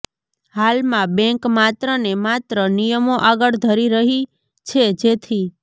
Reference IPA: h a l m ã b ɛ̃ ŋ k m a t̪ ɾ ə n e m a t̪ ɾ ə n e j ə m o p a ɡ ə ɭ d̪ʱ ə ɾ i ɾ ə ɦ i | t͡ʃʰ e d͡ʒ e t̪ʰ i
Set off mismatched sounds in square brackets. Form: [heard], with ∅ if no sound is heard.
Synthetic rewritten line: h a l m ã b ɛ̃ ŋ k m a t̪ ɾ ə n e m a t̪ ɾ ə n [i] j ə m o [ʔ] a ɡ ə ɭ d̪ʱ ə ɾ i ɾ ə ɦ i | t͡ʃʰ e d͡ʒ e t̪ʰ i